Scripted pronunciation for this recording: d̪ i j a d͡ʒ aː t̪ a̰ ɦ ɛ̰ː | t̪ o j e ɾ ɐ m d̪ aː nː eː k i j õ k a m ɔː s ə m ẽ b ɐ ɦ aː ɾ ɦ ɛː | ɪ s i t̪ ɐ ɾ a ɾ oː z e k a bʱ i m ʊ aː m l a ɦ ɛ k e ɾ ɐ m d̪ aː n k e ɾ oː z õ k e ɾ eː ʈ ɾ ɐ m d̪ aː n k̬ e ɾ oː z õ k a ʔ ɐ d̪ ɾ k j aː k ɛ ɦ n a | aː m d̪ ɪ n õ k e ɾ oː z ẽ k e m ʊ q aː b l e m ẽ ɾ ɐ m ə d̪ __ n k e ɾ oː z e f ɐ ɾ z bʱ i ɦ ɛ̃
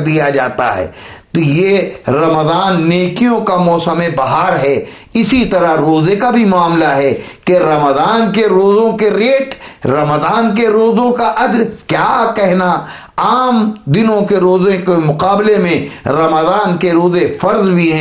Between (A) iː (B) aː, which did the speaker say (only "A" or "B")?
B